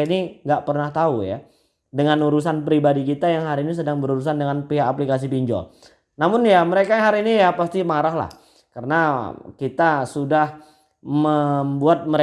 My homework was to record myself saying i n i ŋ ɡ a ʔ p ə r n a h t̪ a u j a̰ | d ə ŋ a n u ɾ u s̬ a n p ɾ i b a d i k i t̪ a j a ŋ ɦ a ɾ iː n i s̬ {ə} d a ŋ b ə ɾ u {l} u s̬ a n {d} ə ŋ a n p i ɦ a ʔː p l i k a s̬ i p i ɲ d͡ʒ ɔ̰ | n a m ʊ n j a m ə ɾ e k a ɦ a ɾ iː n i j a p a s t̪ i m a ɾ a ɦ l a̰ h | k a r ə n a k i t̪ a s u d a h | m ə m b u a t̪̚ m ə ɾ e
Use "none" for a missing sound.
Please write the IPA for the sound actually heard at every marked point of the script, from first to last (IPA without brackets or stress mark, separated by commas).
ə, ɾ, d